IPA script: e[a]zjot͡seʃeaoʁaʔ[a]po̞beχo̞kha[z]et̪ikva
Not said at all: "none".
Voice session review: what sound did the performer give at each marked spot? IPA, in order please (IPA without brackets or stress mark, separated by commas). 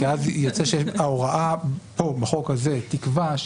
a, a, z